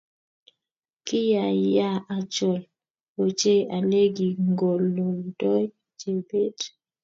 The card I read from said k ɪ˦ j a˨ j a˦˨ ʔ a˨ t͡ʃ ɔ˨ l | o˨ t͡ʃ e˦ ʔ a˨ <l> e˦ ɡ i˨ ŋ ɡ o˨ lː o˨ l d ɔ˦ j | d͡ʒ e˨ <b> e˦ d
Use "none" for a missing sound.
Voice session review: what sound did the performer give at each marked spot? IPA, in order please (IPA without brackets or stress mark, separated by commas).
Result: l, b